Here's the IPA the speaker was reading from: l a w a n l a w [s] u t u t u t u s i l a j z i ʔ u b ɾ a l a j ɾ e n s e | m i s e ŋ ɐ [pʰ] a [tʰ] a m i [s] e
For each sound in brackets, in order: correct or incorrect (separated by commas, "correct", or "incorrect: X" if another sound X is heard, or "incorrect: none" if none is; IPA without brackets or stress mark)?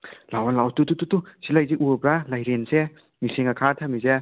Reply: incorrect: t, incorrect: kʰ, correct, incorrect: z